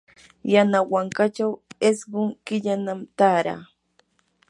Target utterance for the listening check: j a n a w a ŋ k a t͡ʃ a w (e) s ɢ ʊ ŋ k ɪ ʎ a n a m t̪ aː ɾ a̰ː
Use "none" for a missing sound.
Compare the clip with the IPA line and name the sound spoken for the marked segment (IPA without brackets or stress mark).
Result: e